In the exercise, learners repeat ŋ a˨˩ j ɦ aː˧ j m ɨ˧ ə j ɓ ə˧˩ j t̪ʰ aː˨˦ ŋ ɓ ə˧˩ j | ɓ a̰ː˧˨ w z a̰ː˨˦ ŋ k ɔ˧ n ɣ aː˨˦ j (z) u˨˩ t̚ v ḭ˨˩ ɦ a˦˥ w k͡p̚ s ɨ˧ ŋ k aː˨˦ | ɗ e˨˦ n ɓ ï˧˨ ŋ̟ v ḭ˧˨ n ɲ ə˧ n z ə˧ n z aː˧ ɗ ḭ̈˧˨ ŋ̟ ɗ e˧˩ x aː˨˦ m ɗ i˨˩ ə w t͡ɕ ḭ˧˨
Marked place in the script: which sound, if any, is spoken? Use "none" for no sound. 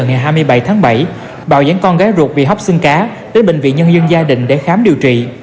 z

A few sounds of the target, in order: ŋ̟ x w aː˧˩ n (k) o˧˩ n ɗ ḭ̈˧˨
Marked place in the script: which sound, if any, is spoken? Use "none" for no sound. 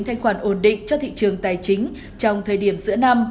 ʔ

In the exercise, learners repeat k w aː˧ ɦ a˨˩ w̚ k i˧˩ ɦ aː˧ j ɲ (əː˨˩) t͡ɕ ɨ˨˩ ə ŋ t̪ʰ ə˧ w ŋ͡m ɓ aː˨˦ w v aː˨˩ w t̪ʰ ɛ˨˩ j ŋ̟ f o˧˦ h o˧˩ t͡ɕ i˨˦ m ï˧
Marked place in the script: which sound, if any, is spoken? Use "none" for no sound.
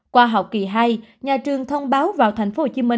aː˨˩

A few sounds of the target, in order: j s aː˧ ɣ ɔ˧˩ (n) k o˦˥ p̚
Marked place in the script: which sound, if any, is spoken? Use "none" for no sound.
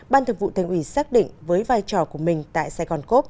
n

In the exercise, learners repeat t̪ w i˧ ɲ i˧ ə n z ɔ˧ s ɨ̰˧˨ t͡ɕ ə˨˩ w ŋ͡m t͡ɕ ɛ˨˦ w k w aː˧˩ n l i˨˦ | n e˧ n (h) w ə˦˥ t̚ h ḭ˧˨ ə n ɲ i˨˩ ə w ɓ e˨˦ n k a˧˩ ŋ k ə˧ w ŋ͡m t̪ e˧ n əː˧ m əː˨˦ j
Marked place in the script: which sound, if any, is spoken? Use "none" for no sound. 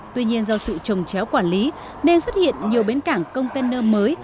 s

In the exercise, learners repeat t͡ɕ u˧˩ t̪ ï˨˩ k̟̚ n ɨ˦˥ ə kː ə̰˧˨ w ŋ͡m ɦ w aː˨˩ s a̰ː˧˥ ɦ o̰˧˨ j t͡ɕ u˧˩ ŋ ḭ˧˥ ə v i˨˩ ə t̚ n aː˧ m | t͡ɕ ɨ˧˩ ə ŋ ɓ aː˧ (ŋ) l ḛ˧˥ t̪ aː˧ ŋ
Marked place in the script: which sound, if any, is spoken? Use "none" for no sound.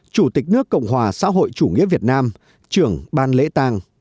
n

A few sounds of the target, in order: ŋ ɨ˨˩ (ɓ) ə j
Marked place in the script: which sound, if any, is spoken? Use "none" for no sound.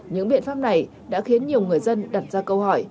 none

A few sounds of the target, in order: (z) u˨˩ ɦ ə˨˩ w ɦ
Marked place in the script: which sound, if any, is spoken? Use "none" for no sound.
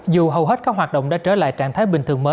z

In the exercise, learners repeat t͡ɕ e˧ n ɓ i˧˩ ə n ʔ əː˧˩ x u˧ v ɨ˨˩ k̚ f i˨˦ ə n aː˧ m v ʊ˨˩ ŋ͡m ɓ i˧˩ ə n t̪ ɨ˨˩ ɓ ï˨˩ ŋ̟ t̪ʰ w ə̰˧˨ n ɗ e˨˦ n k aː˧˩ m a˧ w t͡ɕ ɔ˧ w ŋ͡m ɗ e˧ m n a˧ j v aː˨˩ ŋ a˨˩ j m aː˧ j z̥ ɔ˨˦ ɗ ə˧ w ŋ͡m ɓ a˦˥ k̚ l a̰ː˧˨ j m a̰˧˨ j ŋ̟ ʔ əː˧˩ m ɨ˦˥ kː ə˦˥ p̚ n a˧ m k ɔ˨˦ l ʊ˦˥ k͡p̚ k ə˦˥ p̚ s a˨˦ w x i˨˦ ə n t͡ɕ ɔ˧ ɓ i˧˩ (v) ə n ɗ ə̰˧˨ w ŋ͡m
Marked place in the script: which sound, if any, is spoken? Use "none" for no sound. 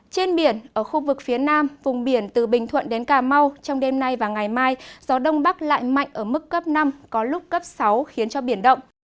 none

